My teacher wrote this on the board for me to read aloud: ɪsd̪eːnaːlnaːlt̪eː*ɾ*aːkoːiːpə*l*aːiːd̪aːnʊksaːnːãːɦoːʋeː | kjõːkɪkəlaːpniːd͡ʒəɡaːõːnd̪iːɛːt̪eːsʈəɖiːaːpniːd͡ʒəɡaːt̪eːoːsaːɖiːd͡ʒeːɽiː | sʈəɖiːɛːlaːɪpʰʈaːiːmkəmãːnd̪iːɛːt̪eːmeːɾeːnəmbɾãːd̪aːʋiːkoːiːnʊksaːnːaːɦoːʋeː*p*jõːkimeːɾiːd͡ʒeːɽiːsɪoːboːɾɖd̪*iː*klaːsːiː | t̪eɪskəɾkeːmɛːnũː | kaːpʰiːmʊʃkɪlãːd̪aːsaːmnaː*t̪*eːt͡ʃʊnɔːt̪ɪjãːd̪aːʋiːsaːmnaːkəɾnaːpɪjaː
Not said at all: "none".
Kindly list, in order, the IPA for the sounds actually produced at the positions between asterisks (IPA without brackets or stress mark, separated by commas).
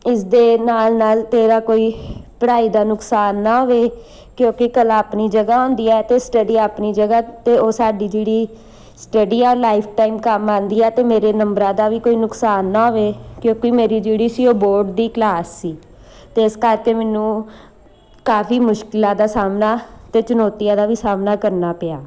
ɾ, ɽ, k, iː, t̪